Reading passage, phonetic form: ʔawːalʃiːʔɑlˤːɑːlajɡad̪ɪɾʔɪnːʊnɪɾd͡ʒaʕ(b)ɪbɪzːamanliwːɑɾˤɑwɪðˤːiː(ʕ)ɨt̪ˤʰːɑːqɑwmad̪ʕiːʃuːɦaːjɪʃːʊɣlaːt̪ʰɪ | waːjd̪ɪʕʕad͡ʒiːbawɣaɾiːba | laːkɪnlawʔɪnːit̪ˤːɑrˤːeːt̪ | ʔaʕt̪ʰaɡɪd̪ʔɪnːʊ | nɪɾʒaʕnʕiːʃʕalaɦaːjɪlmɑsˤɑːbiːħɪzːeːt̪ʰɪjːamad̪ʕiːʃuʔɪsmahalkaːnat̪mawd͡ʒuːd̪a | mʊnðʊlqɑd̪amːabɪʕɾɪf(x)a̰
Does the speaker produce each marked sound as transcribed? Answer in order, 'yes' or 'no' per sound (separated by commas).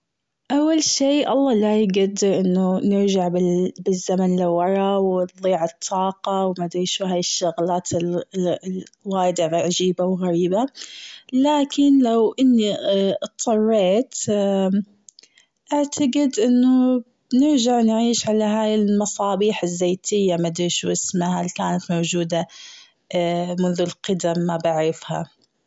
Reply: yes, yes, no